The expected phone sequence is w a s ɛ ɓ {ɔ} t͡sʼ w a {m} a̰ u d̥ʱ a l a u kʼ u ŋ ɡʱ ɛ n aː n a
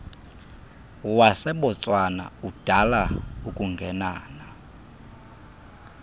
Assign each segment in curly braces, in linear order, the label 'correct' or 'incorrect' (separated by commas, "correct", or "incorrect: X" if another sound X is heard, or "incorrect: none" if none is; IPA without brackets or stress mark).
correct, incorrect: n